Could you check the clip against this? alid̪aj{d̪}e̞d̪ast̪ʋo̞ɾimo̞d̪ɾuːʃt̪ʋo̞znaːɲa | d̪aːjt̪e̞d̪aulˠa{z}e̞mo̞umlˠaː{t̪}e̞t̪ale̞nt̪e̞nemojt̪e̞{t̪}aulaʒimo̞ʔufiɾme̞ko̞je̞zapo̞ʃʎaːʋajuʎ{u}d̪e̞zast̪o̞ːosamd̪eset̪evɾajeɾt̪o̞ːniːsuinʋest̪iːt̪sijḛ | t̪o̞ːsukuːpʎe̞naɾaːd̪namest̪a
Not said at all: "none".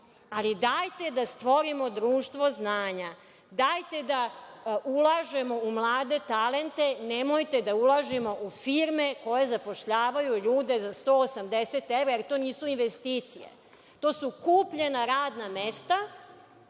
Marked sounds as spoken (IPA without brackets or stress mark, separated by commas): t̪, ʒ, d̪, d̪, uː